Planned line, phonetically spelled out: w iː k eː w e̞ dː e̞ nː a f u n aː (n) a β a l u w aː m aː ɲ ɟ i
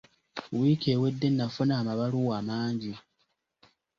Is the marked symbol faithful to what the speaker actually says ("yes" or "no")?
no